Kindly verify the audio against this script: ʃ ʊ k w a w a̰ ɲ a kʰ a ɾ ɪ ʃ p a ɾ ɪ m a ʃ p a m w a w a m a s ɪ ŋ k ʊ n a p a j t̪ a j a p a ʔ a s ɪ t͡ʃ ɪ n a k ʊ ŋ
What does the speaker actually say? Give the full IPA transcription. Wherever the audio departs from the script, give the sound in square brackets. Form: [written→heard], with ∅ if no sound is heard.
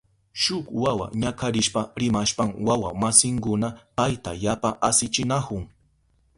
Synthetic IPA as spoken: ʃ ʊ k w a w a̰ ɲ a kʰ a ɾ ɪ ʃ p a ɾ ɪ m a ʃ p a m w a w a m a s ɪ ŋ k ʊ n a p a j t̪ a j a p a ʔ a s ɪ t͡ʃ ɪ n a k ʊ ŋ